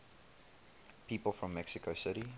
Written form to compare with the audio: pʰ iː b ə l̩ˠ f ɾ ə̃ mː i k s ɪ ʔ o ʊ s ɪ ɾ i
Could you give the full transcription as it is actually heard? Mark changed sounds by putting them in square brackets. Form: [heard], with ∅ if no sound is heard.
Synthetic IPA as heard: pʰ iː [p] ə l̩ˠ f [ɹ] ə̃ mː [ɛ] k s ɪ [k] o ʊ s ɪ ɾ i